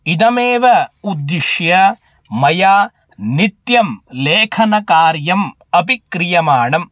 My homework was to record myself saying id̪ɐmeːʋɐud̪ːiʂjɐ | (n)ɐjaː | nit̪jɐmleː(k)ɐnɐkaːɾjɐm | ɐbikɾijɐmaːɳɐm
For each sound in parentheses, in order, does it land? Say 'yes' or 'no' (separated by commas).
no, no